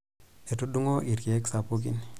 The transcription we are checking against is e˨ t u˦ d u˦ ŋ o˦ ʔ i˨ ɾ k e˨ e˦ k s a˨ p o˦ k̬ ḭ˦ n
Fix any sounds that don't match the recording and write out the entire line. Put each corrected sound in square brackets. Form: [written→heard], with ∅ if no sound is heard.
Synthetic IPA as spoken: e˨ t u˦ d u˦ ŋ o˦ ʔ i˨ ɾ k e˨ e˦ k s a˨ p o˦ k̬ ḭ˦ n